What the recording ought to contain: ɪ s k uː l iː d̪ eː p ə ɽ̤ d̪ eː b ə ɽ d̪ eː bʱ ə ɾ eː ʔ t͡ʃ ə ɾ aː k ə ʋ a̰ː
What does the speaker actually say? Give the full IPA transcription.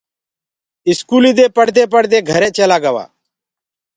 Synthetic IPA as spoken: ɪ s k uː l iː d̪ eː p ə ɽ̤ d̪ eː p ə ɽ d̪ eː ɡʱ ə ɾ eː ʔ t͡ʃ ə l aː ɡ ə ʋ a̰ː